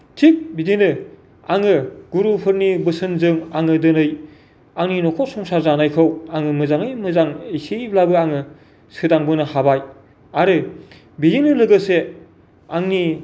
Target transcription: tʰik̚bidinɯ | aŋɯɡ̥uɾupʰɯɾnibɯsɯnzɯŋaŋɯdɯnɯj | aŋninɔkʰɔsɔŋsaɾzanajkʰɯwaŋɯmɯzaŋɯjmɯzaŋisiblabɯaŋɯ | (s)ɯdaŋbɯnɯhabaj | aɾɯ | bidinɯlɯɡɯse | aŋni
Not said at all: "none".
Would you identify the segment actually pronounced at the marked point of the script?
s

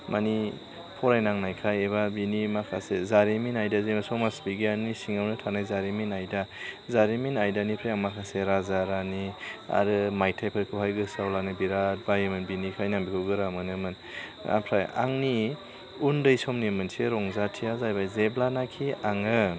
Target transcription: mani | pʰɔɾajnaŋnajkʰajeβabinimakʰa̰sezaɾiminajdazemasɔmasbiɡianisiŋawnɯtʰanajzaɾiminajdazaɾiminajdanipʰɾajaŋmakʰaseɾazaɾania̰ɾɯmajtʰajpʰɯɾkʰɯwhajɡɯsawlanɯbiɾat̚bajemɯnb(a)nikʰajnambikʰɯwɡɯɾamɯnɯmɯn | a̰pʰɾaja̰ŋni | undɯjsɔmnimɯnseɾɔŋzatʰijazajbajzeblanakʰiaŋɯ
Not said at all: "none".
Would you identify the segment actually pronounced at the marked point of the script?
i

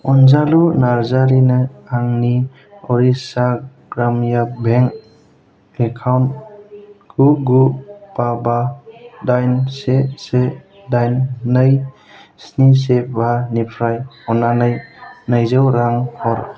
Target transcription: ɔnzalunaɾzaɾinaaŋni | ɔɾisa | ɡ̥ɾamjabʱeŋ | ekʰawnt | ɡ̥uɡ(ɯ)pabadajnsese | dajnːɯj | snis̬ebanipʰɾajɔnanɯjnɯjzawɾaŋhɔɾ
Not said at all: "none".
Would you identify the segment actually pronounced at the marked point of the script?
u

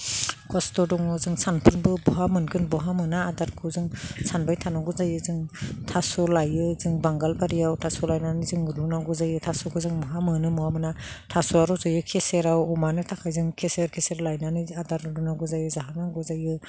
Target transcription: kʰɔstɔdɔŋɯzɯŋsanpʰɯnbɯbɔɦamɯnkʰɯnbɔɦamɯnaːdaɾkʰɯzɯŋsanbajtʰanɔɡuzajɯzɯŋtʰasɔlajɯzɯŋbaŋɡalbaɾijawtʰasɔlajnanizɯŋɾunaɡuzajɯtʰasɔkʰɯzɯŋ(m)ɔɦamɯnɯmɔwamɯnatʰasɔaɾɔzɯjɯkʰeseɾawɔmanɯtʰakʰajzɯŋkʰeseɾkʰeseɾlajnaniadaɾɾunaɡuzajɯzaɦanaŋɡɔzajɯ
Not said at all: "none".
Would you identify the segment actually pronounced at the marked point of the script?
m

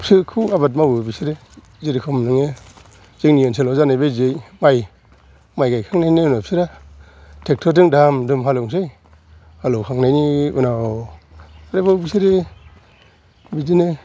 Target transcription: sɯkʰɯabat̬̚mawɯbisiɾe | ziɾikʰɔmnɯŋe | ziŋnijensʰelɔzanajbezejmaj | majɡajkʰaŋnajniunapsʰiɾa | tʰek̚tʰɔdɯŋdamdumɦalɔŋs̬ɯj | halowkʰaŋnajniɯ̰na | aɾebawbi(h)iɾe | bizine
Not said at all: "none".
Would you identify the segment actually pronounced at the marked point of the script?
s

